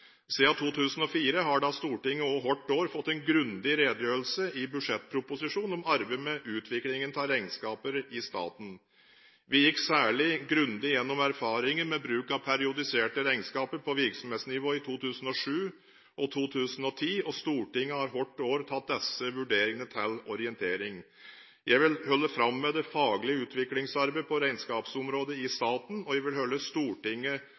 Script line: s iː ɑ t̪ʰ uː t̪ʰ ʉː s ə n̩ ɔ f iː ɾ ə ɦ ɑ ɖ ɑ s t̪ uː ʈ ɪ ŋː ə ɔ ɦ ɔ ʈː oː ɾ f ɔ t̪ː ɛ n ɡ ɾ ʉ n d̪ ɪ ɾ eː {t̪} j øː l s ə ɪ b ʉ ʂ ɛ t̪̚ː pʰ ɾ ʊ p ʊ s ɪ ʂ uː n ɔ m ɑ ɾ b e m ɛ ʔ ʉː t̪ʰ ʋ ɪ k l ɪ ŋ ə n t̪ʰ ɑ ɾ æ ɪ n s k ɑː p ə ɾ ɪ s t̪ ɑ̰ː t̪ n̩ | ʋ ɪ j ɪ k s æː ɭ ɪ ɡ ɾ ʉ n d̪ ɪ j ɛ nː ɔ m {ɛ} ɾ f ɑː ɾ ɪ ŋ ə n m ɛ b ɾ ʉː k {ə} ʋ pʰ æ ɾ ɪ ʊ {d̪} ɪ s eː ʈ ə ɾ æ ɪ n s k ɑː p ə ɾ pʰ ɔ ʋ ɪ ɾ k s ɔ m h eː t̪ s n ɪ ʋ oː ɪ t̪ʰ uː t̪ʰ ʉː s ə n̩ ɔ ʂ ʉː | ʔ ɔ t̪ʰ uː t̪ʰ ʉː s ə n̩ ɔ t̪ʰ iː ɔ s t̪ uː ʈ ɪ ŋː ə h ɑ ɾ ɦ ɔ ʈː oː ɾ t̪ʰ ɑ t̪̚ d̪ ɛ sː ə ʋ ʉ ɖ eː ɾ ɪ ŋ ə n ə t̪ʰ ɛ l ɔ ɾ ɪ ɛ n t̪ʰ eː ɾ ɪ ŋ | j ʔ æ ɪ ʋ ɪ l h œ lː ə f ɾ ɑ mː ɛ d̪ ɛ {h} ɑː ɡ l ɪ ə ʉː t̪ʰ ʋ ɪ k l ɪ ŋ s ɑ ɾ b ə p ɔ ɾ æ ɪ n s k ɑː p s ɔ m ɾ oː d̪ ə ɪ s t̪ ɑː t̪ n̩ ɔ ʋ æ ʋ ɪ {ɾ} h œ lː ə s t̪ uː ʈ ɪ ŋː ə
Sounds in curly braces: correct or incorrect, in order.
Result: incorrect, incorrect, incorrect, correct, incorrect, incorrect

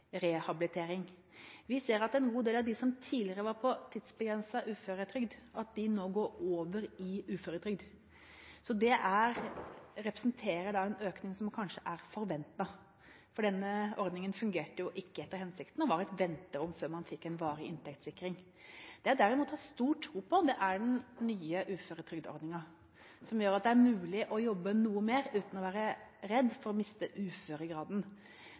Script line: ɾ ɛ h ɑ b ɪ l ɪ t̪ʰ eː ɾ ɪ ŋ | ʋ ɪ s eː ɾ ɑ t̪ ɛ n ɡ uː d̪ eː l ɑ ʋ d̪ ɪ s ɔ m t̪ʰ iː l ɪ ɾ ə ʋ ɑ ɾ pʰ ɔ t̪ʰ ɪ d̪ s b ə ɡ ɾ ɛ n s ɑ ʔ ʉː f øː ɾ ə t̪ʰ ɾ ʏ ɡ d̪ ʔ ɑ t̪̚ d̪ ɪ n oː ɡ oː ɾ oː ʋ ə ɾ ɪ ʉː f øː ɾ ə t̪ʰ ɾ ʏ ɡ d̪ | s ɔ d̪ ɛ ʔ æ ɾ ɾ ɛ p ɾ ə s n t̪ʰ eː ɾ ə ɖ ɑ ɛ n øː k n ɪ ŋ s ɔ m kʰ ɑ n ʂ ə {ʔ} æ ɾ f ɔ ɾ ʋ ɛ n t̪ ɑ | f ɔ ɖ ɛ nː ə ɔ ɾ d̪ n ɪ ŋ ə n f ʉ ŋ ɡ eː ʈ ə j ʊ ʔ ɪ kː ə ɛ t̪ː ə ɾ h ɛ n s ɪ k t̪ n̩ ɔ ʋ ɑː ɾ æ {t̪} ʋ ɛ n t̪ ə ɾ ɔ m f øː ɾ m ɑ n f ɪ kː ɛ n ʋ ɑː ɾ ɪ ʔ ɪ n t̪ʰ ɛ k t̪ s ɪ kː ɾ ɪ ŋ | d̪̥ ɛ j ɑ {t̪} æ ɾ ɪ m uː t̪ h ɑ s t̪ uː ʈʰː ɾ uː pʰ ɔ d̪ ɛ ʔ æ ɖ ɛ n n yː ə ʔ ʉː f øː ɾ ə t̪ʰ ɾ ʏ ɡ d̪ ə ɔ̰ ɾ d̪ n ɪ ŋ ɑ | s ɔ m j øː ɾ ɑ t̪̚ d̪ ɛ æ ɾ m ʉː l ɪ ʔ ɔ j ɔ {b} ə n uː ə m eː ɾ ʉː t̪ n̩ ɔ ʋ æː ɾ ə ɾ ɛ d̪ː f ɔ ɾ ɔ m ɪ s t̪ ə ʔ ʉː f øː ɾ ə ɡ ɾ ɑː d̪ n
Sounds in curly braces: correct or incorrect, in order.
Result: correct, correct, incorrect, incorrect

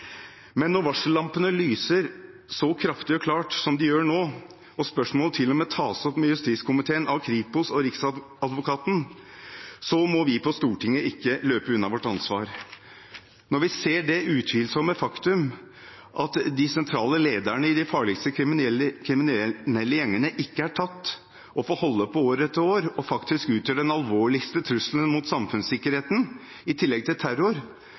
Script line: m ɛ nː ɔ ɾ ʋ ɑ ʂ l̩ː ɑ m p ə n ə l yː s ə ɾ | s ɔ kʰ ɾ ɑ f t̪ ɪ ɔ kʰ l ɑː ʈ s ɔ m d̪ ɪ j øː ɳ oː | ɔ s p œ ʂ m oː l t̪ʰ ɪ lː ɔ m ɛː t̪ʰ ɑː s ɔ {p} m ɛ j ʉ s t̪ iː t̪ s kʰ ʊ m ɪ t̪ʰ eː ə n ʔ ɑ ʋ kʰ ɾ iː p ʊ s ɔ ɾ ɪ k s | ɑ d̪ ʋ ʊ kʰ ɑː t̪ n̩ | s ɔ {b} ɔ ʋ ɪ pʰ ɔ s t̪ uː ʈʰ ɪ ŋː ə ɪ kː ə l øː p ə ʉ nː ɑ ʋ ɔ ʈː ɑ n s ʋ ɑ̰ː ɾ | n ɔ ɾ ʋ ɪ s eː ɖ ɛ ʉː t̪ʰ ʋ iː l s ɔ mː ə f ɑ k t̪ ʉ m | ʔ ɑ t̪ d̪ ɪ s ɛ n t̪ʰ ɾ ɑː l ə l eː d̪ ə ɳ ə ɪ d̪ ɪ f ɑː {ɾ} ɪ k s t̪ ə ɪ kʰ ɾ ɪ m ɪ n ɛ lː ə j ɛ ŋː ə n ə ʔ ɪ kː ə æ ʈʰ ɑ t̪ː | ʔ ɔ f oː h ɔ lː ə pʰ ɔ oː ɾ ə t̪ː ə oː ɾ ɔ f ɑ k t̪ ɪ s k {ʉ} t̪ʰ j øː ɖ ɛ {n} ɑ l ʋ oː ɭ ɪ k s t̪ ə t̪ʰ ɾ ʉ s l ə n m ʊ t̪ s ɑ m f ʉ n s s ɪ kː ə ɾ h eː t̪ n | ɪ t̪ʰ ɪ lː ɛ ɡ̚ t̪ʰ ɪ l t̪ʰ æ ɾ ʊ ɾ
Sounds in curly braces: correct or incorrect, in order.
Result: correct, incorrect, incorrect, incorrect, correct

